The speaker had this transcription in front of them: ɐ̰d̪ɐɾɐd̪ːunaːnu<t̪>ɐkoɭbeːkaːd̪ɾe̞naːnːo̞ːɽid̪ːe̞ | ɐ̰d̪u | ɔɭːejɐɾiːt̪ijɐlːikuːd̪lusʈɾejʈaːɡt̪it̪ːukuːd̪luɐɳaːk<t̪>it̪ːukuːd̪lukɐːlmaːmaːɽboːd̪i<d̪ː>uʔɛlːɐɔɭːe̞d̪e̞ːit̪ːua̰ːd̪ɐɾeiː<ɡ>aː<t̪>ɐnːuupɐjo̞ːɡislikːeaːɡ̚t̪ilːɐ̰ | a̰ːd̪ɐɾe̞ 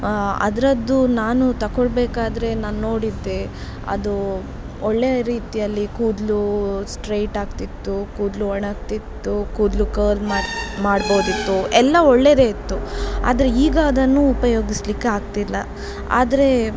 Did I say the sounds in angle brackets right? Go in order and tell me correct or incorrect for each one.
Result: correct, correct, incorrect, correct, incorrect

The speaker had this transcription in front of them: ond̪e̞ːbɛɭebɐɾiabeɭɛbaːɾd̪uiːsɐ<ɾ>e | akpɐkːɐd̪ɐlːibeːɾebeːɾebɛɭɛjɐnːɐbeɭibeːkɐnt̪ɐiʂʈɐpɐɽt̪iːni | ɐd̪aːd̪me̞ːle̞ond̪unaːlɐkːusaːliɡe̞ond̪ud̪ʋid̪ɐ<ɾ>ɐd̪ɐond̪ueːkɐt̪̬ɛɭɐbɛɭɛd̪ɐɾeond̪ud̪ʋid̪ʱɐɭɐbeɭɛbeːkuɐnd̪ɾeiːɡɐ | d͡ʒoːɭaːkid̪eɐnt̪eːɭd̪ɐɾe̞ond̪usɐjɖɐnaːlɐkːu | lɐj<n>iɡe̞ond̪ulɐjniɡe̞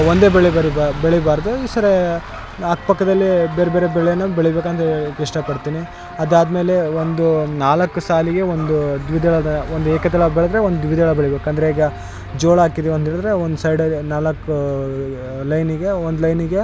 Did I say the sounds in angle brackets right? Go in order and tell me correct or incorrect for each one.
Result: correct, incorrect, correct

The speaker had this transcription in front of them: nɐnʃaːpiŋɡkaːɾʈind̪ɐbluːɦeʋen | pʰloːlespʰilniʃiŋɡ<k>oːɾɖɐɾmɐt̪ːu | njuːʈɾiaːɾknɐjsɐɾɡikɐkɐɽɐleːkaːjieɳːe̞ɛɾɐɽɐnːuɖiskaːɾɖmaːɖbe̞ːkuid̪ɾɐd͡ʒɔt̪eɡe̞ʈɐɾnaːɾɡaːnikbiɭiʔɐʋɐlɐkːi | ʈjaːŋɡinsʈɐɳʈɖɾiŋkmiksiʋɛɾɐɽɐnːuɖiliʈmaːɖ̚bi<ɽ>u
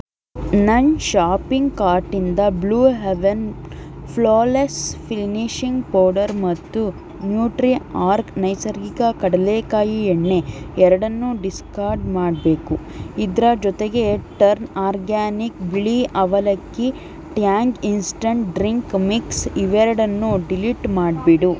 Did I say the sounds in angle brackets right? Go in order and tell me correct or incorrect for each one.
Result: incorrect, correct

